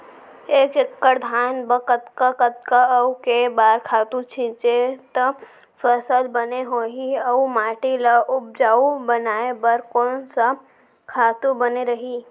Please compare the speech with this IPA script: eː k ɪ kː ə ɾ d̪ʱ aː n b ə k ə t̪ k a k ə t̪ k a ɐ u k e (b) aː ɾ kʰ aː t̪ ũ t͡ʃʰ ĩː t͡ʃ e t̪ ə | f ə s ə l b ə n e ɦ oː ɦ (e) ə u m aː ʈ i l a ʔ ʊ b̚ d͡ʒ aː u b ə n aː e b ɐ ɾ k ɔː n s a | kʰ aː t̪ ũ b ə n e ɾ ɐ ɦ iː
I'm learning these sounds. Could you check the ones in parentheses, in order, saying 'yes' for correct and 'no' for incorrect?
yes, no

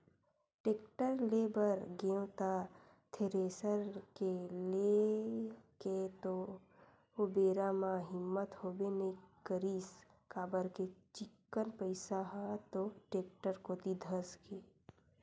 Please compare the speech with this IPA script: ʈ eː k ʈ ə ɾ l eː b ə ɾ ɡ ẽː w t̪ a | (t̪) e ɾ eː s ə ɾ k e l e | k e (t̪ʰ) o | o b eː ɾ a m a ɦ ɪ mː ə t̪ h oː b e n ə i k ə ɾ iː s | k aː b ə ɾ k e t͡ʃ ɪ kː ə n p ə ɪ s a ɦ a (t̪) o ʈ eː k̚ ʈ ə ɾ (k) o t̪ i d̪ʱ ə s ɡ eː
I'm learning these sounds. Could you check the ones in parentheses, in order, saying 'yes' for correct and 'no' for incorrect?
no, no, yes, yes

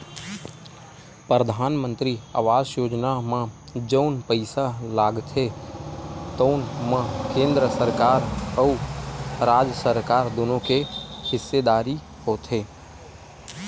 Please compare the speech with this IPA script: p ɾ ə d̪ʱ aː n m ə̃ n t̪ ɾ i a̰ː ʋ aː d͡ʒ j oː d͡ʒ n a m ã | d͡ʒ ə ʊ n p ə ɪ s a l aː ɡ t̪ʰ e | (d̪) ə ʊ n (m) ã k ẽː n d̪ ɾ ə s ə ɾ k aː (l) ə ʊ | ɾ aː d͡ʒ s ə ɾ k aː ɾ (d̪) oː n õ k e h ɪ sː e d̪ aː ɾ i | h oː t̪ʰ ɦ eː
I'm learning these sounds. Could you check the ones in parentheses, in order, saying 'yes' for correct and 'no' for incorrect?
no, yes, no, yes

